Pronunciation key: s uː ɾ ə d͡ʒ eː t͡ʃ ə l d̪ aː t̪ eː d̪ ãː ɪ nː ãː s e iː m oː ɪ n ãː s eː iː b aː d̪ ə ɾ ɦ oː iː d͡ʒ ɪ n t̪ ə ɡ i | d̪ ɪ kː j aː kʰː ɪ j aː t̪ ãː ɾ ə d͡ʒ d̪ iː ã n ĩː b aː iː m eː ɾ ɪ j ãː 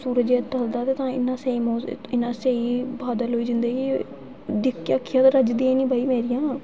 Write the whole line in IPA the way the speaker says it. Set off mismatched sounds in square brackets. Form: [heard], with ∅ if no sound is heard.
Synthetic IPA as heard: s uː ɾ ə d͡ʒ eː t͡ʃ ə l d̪ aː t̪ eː [t̪] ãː ɪ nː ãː s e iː m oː ɪ n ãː s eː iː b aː d̪ ə [l] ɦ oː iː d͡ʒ ɪ n [d̪] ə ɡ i | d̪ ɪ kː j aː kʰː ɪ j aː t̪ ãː ɾ ə d͡ʒ d̪ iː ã n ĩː b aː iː m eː ɾ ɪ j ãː